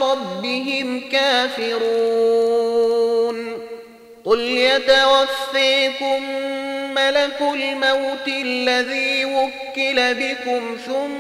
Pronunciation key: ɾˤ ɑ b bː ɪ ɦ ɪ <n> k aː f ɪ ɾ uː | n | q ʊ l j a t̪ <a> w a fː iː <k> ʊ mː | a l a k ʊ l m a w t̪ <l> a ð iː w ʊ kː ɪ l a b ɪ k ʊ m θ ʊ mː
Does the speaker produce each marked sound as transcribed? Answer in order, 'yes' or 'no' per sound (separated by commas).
no, yes, yes, no